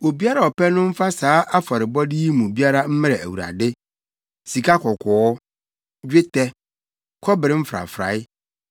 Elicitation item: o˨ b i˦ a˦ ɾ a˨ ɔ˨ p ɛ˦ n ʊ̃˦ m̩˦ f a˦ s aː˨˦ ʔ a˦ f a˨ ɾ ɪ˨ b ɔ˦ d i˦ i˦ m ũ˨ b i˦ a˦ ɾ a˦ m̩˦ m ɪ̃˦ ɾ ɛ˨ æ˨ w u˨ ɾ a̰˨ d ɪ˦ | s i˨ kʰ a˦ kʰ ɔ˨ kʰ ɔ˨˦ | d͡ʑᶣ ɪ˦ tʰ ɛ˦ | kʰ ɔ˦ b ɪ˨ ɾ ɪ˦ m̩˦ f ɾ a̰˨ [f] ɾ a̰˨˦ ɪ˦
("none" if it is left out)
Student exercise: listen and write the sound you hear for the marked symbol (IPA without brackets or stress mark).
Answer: f